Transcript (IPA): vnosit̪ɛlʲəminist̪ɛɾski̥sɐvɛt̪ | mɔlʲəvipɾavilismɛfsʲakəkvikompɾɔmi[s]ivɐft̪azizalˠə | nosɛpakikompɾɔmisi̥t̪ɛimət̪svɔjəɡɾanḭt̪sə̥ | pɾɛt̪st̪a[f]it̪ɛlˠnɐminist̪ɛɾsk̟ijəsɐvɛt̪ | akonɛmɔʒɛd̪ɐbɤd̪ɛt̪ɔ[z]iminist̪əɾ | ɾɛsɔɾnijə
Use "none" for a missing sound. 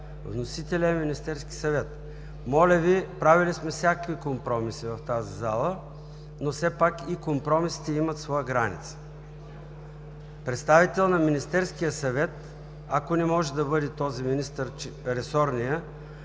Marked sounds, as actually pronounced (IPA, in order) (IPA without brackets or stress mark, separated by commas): s, v, z